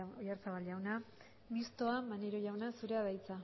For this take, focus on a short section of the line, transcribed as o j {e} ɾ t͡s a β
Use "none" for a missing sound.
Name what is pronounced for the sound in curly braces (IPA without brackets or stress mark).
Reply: a